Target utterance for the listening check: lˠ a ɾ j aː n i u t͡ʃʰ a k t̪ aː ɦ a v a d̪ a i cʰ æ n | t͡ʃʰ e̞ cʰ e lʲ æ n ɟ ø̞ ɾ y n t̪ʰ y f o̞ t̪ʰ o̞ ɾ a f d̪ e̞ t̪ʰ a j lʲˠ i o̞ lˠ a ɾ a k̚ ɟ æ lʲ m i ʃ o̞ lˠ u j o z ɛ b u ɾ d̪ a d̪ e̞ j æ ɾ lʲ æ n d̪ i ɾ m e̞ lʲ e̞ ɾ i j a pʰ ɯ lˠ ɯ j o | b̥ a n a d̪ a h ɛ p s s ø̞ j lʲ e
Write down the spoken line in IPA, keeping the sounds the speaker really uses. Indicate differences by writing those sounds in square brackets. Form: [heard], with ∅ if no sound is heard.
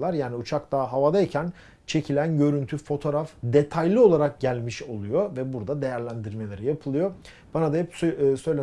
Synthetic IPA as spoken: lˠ a ɾ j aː n i u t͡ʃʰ a k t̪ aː ɦ a v a d̪ a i cʰ æ n | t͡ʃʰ e̞ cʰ [i] lʲ æ n ɟ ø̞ ɾ y n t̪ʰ y f o̞ t̪ʰ o̞ ɾ a f d̪ e̞ t̪ʰ a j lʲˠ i o̞ lˠ a ɾ a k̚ ɟ æ lʲ m i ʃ o̞ lˠ u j o [v] ɛ b u ɾ d̪ a d̪ e̞ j æ ɾ lʲ æ n d̪ i ɾ m e̞ lʲ e̞ ɾ i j a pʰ ɯ lˠ ɯ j o | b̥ a n a d̪ a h ɛ p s s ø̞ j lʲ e